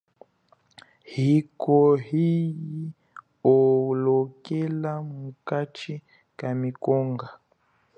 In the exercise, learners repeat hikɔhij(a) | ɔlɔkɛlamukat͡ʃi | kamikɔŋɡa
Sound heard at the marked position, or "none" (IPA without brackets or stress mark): i